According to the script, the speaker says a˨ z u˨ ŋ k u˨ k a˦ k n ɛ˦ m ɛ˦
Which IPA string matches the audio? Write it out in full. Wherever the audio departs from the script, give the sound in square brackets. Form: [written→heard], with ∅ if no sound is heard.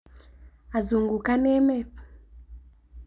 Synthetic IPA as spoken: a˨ z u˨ ŋ [k→ɡ] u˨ k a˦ [k→∅] n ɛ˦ m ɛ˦

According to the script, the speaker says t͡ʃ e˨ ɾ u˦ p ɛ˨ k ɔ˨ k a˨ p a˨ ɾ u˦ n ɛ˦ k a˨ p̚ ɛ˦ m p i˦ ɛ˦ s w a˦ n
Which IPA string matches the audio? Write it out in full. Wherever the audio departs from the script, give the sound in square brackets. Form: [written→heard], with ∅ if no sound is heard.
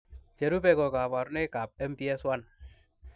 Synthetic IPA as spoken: t͡ʃ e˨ ɾ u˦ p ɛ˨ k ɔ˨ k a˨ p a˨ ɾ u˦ n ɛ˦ k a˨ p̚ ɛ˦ m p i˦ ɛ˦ s w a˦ n

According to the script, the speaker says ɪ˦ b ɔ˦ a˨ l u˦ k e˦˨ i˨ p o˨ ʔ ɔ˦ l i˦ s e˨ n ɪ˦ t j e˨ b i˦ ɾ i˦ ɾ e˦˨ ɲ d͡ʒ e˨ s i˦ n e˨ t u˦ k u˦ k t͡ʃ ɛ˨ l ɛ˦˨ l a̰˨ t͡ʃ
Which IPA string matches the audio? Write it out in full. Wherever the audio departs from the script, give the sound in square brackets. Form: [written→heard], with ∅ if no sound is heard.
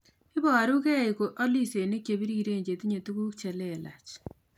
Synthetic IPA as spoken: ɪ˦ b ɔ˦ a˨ [l→ɾ] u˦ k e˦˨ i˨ [p→k] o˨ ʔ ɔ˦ l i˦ s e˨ n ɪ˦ [t→k] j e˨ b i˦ ɾ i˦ ɾ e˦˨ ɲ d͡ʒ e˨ [s→t] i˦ [n→ɲ] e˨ t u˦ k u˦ k t͡ʃ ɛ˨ l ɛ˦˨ l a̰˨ t͡ʃ

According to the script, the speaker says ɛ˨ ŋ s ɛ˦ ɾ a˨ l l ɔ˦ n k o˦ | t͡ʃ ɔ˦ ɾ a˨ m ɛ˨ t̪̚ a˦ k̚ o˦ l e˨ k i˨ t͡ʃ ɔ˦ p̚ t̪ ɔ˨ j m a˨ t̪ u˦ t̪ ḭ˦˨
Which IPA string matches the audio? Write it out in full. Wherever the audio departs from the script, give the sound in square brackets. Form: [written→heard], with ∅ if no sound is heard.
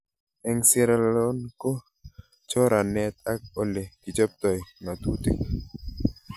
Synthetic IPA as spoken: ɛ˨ ŋ s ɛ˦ ɾ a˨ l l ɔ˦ n k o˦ | t͡ʃ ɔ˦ ɾ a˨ [m→n] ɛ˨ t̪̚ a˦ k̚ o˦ l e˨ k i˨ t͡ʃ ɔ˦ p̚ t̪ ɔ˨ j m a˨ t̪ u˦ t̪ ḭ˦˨

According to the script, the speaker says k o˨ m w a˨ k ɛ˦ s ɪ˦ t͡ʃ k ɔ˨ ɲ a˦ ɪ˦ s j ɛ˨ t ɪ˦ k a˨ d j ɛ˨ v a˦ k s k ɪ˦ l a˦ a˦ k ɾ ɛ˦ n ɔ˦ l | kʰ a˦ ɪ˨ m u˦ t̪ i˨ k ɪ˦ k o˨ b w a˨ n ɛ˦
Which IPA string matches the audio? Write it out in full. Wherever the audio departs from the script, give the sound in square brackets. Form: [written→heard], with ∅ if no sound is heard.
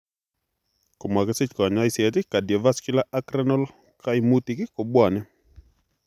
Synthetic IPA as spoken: k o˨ m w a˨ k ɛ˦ s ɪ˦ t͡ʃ k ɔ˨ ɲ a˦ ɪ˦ s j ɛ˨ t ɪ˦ k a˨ d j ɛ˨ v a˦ [k→∅] s k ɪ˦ l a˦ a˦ k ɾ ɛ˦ n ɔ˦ l | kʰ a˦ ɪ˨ m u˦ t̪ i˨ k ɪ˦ k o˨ b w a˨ n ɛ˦

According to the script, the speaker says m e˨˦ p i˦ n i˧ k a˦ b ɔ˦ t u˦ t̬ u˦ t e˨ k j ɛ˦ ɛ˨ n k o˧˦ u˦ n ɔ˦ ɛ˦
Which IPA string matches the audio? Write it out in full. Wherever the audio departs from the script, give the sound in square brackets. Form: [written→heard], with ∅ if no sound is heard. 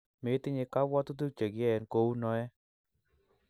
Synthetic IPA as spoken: m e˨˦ [p→t] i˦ [n→ɲ] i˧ k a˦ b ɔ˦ t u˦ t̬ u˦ [t→t͡ʃ] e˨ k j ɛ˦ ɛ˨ n k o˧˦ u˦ n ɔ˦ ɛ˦

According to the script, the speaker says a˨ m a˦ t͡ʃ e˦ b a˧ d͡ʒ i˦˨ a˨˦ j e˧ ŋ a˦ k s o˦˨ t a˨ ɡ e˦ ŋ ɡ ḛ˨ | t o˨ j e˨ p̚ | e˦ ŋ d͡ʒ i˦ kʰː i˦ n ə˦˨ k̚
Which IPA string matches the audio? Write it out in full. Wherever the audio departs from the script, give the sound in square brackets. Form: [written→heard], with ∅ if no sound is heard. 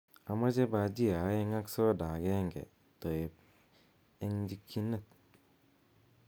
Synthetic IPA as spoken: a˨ m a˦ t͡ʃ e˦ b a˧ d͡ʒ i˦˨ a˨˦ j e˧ ŋ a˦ k s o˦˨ [t→d] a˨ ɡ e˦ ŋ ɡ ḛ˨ | t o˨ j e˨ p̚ | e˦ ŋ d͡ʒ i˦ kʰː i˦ n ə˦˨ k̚

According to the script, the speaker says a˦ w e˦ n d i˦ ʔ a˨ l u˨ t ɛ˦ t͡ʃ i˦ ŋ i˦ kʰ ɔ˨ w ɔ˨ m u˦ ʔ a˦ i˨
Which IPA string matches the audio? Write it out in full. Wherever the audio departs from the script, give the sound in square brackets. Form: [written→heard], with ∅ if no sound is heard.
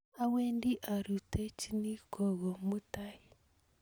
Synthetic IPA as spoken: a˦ w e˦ n d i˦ ʔ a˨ [l→ɾ] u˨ t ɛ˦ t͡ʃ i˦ [ŋ→n] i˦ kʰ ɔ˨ [w→ɣ] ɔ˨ m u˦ [ʔ→t] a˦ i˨

